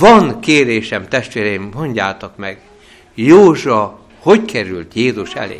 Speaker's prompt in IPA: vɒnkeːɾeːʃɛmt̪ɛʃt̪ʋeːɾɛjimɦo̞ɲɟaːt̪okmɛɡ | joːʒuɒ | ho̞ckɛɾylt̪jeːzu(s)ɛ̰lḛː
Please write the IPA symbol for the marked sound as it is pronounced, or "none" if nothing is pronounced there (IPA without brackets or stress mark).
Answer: ʃ